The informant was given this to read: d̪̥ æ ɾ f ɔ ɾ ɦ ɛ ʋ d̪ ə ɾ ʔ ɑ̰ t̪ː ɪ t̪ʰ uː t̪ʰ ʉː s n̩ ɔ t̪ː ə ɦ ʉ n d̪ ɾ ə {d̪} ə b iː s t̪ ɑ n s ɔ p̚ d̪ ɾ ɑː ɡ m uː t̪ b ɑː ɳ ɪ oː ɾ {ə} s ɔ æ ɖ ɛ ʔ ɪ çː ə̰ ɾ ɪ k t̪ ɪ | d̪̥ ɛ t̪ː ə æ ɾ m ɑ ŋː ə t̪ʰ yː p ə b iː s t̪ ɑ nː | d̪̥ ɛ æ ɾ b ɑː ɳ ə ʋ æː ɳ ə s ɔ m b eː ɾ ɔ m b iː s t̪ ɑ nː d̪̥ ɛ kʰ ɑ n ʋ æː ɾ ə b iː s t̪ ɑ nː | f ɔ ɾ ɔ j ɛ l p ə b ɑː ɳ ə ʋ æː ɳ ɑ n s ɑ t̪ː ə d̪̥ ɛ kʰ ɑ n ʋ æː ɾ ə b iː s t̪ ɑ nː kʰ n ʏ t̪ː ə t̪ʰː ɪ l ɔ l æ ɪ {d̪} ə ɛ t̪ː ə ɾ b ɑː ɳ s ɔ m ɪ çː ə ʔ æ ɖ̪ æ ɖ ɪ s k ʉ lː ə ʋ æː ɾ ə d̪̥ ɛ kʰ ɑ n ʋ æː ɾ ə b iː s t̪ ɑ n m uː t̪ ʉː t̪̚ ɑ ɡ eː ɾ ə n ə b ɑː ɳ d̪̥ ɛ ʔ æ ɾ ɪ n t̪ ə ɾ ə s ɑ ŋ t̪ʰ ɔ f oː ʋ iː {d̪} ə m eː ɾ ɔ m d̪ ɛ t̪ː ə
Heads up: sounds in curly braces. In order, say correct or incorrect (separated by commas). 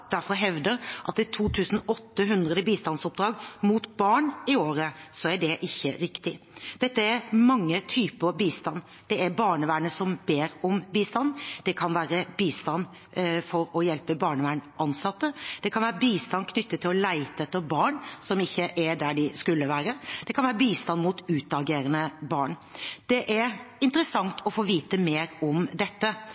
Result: correct, correct, incorrect, incorrect